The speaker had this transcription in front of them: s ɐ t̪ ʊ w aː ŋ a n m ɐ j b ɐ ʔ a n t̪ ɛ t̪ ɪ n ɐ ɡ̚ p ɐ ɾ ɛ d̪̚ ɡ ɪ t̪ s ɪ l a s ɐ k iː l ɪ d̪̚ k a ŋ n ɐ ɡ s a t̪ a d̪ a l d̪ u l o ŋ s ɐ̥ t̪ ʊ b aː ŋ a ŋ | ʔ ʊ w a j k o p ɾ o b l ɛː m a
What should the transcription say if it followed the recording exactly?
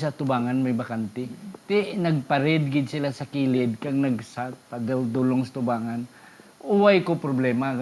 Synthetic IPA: s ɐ t̪ ʊ b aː ŋ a n m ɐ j b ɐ k a n t̪ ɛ t̪ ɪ n ɐ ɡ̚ p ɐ ɾ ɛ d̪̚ ɡ ɪ d̪ s ɪ l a s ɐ k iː l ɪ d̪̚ k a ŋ n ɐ ɡ s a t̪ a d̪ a l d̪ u l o ŋ s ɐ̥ t̪ ʊ b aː ŋ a n | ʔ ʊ w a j k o p ɾ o b l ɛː m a